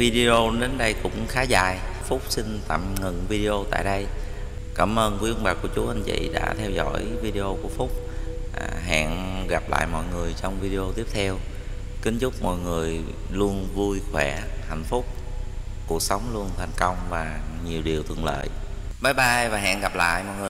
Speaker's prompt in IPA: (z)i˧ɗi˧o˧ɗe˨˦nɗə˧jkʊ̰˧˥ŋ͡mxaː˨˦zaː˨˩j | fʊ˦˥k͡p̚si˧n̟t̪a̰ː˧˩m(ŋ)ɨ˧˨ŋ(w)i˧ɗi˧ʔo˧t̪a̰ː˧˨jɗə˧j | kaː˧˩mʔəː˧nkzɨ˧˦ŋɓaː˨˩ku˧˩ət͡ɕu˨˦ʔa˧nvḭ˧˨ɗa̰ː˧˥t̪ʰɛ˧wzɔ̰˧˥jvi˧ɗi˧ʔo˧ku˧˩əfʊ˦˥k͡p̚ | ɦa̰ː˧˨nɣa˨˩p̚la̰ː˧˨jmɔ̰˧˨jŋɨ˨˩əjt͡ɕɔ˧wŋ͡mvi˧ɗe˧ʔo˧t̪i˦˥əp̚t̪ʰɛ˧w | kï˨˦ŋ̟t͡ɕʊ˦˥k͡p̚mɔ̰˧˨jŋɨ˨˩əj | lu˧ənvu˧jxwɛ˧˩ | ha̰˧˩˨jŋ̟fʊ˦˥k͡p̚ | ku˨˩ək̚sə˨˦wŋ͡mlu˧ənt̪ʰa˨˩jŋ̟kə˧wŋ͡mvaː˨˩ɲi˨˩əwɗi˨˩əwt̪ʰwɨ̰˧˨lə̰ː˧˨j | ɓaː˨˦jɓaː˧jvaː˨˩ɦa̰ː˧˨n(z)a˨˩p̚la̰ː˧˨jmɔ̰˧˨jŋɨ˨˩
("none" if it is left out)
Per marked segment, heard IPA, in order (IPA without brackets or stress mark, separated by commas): v, ŋ, v, ɣ